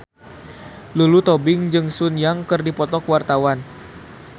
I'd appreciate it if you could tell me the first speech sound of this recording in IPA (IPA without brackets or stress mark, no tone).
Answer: l